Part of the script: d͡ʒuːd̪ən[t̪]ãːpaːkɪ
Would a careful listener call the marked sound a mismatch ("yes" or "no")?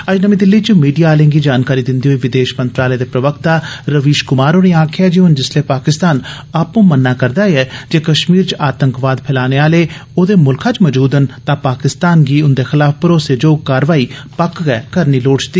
no